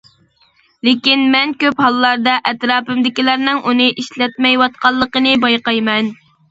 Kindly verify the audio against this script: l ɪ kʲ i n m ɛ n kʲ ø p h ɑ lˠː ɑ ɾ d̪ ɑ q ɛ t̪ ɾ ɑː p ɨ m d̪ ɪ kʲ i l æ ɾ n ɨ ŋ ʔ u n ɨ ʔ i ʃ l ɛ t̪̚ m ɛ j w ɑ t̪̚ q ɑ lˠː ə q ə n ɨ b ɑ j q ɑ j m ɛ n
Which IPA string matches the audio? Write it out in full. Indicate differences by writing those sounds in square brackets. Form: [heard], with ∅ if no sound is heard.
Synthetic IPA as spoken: l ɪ kʲ i n m ɛ n kʲ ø p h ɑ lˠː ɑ ɾ d̪ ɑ [ʔ] ɛ t̪ ɾ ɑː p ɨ m d̪ ɪ kʲ i l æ ɾ n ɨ ŋ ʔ u n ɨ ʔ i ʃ l ɛ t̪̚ m ɛ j w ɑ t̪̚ q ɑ lˠː ə q ə n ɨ b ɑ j q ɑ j m ɛ n